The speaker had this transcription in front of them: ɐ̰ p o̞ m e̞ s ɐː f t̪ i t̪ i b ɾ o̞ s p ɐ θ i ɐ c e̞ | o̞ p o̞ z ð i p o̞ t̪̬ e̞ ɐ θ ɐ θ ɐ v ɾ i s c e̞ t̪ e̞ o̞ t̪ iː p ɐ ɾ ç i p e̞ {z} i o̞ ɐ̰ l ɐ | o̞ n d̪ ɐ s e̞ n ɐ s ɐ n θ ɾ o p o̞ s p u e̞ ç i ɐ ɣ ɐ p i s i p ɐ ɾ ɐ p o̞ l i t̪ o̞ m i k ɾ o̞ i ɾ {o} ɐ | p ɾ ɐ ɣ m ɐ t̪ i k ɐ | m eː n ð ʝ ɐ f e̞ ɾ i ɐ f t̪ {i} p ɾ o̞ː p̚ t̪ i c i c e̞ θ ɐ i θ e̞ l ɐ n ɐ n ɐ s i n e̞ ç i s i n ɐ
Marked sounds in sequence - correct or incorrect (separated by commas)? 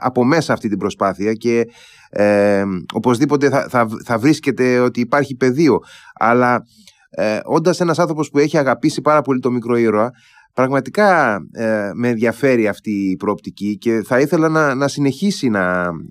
incorrect, correct, incorrect